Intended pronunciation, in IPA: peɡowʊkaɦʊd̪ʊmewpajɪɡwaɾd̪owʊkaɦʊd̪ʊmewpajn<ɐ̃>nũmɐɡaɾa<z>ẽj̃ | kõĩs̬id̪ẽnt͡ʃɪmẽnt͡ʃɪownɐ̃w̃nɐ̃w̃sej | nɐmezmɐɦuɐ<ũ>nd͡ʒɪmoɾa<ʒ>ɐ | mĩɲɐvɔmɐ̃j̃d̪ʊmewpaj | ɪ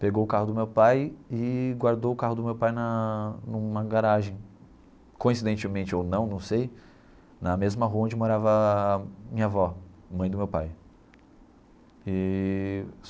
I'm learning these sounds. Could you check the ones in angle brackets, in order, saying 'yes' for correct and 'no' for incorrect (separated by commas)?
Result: no, no, no, no